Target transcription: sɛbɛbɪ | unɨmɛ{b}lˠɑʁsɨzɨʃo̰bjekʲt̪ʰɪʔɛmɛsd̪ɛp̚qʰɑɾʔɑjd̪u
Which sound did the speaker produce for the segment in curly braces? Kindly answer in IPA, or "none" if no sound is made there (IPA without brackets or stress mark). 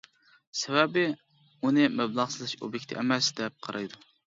b